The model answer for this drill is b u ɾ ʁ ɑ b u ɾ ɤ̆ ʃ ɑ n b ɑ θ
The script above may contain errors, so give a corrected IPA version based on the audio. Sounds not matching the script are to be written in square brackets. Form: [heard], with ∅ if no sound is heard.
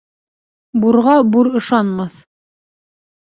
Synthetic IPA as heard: b u ɾ ʁ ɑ b u ɾ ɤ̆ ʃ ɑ n [m] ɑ θ